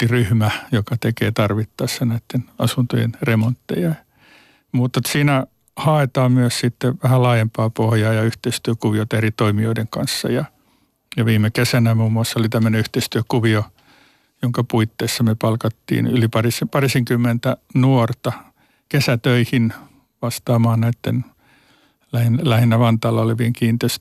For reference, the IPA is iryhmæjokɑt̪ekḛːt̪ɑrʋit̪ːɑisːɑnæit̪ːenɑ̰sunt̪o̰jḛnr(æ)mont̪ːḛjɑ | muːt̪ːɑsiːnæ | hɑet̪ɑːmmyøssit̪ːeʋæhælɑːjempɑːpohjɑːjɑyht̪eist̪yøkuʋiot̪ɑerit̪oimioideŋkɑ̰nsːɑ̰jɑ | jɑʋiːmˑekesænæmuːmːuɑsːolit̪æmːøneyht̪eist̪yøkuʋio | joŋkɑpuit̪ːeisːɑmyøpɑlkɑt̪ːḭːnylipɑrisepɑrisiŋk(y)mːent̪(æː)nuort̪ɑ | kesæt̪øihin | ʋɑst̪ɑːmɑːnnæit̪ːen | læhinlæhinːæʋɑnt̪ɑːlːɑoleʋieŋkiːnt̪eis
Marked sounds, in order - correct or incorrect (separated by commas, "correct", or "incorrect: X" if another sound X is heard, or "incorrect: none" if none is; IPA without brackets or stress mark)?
incorrect: e, correct, incorrect: æ